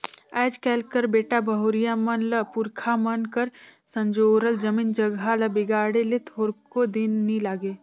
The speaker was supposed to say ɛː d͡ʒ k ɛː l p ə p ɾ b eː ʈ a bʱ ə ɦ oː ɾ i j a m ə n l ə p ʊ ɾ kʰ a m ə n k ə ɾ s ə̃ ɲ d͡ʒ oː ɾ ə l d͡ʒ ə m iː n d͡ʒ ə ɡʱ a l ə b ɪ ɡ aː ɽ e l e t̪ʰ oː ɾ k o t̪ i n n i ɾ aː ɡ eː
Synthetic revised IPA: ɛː d͡ʒ k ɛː l k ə ɾ b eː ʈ a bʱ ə ɦ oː ɾ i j a m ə n l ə p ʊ ɾ kʰ a m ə n k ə ɾ s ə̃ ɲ d͡ʒ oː ɾ ə l d͡ʒ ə m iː n d͡ʒ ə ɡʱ a l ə b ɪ ɡ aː ɽ e l e t̪ʰ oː ɾ k o d̪ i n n i l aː ɡ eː